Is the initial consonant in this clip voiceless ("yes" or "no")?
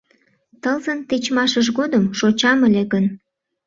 yes